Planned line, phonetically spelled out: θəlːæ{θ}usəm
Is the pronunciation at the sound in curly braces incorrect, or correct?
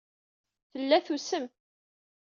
correct